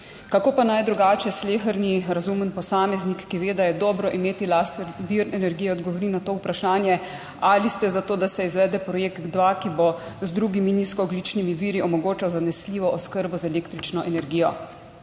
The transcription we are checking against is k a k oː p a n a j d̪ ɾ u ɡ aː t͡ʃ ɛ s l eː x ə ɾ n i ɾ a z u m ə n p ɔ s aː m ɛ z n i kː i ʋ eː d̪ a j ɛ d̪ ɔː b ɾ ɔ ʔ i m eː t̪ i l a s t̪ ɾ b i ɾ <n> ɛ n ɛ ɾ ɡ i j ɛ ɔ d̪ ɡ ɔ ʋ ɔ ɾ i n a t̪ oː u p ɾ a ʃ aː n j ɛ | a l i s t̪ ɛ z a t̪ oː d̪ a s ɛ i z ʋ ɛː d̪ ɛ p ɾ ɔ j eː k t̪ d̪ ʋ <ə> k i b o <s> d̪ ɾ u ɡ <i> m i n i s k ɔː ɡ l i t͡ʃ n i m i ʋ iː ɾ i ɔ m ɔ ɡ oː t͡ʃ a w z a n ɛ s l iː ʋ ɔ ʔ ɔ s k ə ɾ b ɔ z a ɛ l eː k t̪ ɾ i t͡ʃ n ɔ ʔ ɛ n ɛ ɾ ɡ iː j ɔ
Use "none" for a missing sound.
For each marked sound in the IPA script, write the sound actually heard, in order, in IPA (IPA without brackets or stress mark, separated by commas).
n, a, z, i